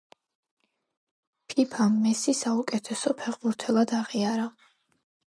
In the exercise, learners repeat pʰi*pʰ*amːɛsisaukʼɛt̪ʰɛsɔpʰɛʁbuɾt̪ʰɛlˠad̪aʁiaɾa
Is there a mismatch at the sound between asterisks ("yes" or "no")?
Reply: no